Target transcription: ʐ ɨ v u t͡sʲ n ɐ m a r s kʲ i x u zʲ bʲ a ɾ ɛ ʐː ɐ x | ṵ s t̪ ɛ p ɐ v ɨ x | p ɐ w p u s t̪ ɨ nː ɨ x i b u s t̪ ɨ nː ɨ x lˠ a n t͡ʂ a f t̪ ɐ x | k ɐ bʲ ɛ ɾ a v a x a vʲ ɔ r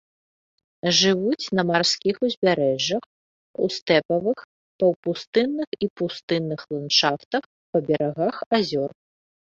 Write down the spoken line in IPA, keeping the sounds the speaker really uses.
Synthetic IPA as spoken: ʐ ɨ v u t͡sʲ n ɐ m a r s kʲ i x u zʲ bʲ a ɾ ɛ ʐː ɐ x | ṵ s t̪ ɛ p ɐ v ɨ x | p ɐ w p u s t̪ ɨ nː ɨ x i p u s t̪ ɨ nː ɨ x lˠ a n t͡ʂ a f t̪ ɐ x | p ɐ bʲ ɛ ɾ a ɣ a x a zʲ ɔ r